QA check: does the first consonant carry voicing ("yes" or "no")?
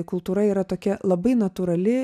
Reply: no